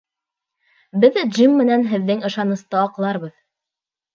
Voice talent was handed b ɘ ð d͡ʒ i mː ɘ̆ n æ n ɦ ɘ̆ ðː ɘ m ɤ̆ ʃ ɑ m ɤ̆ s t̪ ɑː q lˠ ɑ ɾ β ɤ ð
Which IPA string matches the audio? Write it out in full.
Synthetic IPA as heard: b ɘ ð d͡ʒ i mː ɘ̆ n æ n ɦ ɘ̆ ðː ɘ ŋ ɤ̆ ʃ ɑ n ɤ̆ s t̪ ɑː q lˠ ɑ ɾ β ɤ ð